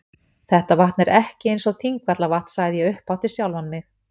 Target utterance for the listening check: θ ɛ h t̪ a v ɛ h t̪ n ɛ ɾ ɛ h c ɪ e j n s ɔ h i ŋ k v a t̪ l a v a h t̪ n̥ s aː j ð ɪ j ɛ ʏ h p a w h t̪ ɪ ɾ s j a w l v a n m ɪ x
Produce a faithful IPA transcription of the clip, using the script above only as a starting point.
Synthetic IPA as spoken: θ ɛ h t̪ a v a h t̪ n ɛ ɾ ɛ h c ɪ e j n s ɔ θ i ŋ k v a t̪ l a v a h t̪ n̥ s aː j ð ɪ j ɛ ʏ h p a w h t̪ ɪ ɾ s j a w l v a n m ɪ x